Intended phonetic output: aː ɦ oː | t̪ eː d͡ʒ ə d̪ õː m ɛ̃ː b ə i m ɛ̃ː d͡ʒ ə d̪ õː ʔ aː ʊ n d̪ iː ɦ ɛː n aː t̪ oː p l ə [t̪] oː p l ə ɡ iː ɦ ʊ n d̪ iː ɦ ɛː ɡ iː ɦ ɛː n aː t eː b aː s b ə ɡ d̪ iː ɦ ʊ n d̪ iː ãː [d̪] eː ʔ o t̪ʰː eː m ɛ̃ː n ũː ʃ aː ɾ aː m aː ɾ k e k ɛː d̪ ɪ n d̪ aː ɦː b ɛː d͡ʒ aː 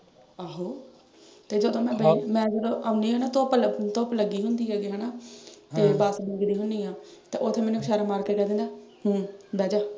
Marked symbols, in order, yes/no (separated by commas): yes, no